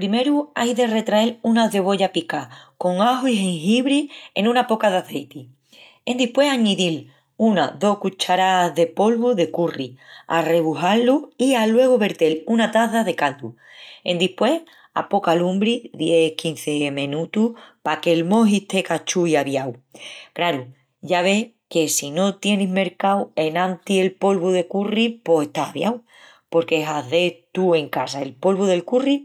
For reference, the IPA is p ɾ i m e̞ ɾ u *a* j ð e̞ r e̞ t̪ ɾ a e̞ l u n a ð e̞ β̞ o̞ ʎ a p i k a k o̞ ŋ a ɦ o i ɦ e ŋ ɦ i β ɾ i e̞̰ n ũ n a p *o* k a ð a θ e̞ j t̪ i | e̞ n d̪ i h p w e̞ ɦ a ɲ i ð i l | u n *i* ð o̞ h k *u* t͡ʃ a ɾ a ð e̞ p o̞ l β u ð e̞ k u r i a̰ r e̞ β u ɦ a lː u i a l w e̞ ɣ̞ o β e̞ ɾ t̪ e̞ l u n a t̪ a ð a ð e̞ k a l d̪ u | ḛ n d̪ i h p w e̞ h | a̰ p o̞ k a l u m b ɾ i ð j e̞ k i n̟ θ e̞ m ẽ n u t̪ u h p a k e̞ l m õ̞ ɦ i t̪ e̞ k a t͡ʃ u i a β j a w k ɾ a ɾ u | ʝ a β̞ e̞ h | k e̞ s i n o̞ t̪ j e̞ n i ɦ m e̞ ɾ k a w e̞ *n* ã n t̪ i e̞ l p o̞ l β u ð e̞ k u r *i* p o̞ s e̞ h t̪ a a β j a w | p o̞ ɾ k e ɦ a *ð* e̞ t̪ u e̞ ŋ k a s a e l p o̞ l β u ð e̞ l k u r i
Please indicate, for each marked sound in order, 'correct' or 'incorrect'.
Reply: correct, correct, incorrect: a, correct, correct, correct, correct

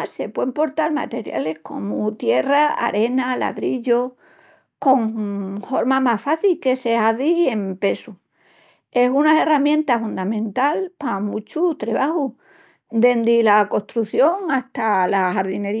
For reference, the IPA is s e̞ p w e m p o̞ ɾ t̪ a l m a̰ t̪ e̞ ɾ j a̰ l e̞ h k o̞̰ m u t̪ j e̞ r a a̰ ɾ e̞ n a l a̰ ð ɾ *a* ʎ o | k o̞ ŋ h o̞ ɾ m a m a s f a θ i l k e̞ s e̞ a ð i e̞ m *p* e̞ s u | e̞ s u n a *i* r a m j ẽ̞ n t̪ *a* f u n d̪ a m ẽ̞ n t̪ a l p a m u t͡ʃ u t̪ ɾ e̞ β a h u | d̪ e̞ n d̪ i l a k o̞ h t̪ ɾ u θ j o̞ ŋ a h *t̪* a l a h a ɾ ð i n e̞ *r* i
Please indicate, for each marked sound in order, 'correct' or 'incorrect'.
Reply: incorrect: i, correct, incorrect: e, correct, correct, incorrect: ɾ

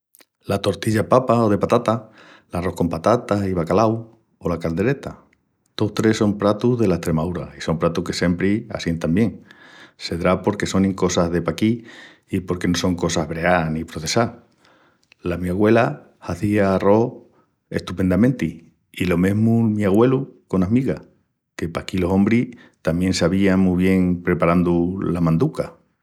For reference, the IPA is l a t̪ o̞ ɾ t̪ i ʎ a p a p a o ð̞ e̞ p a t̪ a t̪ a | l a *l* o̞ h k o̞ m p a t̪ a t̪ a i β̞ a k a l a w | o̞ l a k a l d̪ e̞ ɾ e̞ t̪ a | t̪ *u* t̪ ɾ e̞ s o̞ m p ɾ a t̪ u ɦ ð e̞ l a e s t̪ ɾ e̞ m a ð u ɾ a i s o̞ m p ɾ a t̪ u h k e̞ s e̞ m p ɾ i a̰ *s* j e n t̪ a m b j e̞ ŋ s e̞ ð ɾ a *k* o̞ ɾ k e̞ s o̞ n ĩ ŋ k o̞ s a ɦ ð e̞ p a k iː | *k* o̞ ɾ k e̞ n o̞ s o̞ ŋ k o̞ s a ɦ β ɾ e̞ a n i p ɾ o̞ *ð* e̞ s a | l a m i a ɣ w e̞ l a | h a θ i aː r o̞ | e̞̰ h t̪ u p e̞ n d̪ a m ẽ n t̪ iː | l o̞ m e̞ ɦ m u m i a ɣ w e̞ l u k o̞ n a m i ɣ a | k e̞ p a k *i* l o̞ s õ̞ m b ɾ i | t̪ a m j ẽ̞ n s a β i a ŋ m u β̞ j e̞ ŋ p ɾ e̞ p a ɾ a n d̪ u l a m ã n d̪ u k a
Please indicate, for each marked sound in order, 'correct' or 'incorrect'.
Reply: incorrect: r, incorrect: o, correct, incorrect: p, incorrect: p, incorrect: θ, correct

